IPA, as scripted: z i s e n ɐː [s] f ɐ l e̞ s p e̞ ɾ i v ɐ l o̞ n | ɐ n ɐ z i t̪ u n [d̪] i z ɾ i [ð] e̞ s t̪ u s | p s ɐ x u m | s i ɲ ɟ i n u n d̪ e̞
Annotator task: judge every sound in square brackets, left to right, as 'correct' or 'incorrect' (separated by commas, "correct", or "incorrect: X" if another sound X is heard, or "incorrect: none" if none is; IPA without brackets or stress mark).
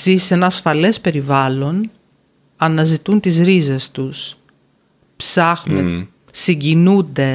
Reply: correct, incorrect: t̪, incorrect: z